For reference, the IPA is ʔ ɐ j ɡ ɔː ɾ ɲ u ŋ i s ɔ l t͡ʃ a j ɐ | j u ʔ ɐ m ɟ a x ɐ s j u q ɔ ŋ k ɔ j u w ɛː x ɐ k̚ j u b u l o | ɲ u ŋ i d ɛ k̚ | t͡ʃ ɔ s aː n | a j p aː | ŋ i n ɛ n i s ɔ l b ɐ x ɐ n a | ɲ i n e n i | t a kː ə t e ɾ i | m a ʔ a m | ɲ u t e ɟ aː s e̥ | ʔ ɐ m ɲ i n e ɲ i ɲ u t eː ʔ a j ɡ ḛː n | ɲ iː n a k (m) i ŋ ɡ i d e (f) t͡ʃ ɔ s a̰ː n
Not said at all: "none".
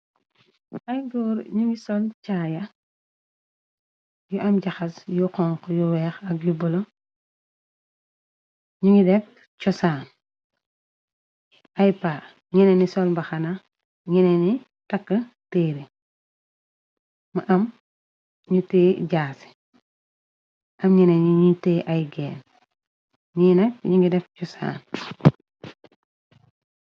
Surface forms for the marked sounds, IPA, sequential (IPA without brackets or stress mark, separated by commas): ɲ, f